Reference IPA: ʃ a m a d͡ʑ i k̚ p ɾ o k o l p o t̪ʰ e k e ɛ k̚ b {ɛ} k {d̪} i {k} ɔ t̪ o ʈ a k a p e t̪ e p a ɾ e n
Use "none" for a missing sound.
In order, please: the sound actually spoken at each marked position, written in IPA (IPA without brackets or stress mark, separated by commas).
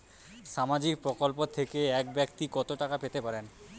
ɛ, t̪, k